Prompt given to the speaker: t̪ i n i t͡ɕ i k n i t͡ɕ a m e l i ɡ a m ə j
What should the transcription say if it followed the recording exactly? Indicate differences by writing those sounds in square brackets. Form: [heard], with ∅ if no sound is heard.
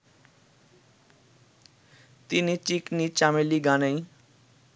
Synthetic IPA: t̪ i n i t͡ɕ i k n i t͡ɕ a m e l i ɡ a [n] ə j

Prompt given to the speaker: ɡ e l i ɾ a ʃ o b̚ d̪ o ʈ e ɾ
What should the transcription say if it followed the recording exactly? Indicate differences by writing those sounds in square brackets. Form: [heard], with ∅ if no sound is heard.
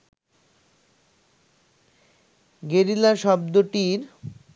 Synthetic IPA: ɡ e [ɾ] i [l] a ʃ [ɔ] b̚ d̪ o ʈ [i] ɾ

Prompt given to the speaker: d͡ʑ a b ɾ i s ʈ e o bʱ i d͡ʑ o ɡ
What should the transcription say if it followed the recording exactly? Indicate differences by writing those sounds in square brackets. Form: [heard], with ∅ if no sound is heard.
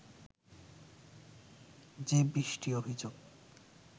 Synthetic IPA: d͡ʑ [e] b ɾ i [ʃ] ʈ [i] o bʱ i d͡ʑ o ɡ

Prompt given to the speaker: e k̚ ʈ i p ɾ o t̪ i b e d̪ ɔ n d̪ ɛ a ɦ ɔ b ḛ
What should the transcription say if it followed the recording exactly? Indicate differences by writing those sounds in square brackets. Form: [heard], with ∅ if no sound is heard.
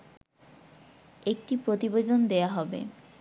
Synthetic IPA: e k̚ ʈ i p ɾ o t̪ i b e d̪ [o] n d̪ [e] a ɦ ɔ b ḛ

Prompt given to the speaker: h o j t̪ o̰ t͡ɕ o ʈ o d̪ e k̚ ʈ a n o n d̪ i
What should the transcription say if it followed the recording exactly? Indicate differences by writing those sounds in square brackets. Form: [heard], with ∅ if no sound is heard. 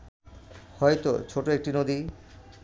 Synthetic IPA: h [ɔ] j t̪ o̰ [t͡ɕʰ] o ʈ o [∅] e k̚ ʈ [i] n o [∅] d̪ i

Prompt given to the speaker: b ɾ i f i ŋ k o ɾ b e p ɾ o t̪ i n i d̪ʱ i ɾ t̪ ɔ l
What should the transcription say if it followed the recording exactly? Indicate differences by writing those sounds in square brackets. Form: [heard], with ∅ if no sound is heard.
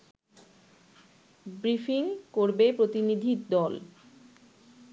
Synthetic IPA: b ɾ i f i ŋ k o ɾ b e p ɾ o t̪ i n i d̪ʱ i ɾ [d̪] ɔ l

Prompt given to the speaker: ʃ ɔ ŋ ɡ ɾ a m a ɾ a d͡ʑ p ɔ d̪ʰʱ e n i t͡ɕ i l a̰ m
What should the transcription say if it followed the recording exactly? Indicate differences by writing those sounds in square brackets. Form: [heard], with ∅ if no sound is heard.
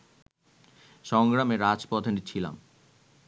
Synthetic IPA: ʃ ɔ ŋ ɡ ɾ a m [e] ɾ a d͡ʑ p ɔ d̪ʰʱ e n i [t͡ɕʰ] i l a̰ m

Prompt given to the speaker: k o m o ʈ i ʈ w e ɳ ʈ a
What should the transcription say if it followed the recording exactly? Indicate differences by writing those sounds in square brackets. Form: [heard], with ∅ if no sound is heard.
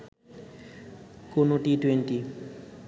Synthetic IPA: k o [n] o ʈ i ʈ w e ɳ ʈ [i]

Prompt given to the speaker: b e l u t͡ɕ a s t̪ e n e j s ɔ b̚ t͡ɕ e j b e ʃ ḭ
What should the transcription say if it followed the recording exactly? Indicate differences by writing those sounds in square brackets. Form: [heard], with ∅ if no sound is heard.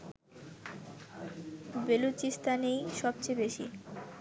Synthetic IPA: b e l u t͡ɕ [i] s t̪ [a] n e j [ʃ] ɔ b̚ t͡ɕ e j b e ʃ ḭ

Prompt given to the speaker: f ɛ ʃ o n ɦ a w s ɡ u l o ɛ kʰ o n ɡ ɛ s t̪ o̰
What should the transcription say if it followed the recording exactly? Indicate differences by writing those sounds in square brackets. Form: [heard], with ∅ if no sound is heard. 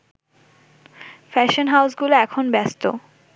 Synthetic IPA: f ɛ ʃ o n ɦ a w s ɡ u l o ɛ kʰ o n [b] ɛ s t̪ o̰

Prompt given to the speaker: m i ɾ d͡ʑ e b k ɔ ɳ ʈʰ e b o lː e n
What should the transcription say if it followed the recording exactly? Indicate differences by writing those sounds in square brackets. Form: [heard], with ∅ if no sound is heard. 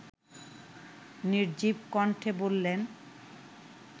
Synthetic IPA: [n] i ɾ d͡ʑ [i] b k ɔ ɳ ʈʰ e b o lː e n

